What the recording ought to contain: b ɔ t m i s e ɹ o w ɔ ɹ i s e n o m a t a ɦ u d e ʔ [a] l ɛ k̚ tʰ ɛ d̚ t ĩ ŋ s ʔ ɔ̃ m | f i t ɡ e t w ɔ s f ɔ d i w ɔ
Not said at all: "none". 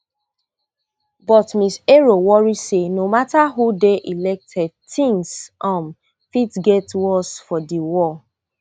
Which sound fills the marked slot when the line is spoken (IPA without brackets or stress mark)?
i